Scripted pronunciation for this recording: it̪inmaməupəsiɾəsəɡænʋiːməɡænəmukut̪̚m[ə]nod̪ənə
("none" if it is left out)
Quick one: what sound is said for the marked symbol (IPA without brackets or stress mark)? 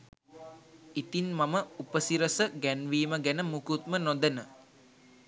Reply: ə